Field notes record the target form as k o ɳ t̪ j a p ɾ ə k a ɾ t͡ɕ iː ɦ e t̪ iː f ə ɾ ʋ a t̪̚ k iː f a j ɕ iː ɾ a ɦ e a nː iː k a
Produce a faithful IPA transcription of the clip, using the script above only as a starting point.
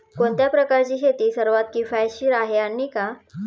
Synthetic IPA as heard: k o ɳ t̪ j a p ɾ ə k a ɾ t͡ɕ iː ɦ e t̪ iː s ə ɾ ʋ a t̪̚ k i f a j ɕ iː ɾ a ɦ e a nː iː k a